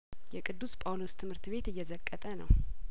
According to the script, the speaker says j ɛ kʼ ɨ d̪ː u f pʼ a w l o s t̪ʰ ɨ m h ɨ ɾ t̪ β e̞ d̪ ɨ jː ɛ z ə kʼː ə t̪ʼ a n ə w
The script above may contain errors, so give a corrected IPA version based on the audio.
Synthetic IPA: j ɛ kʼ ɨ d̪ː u s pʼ a w l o s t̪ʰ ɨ m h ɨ ɾ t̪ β e̞ t̪ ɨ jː ɛ z ə kʼː ə t̪ʼ ə n ə w